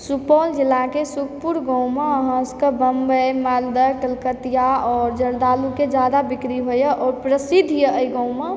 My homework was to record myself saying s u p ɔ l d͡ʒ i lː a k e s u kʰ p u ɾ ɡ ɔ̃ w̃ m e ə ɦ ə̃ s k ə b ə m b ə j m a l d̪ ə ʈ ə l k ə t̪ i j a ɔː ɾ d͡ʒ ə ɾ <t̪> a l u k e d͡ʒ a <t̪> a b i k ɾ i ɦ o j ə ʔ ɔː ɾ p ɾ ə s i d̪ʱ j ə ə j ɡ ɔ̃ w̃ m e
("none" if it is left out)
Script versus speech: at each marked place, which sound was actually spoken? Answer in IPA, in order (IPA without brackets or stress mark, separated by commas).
d̪, d̪